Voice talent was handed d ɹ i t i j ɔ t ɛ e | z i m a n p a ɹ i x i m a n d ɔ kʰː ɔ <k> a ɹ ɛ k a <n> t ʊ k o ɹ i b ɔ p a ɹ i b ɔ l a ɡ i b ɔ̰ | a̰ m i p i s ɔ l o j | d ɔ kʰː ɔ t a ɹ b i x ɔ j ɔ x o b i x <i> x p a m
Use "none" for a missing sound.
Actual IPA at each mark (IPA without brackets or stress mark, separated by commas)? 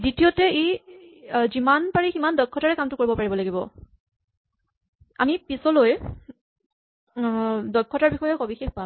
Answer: t, m, e